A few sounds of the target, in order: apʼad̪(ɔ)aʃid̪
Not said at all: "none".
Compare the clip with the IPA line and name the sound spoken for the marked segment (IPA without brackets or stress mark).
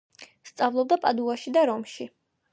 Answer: u